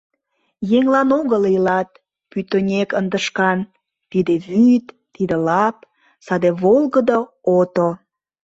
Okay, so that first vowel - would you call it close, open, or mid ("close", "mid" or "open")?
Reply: mid